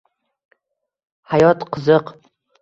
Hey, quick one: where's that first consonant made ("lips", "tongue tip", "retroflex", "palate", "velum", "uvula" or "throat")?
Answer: throat